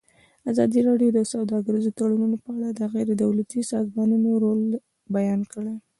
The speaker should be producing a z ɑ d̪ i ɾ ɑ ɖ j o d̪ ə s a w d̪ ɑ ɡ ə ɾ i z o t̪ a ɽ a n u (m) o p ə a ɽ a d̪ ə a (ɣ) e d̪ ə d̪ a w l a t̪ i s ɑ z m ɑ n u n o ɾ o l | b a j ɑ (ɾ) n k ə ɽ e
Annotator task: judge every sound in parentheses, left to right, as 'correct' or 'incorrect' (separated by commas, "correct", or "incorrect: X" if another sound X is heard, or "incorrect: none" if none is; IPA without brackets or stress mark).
incorrect: n, correct, incorrect: none